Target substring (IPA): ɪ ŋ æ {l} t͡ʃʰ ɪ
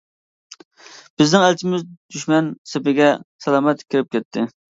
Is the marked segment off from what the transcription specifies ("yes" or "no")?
no